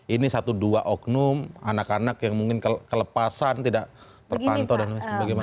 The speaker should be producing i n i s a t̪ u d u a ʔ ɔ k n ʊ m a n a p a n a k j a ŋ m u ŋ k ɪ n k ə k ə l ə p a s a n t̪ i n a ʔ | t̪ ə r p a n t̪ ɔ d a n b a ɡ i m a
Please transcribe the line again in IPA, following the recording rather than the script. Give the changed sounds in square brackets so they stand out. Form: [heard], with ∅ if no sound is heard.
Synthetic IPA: i n i s a t̪ u d u a ʔ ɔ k n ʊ m a n a [k] a n a k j a ŋ m u ŋ k ɪ n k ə k ə l ə p a s a n t̪ i [d] a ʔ | t̪ ə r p a n t̪ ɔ d a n b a ɡ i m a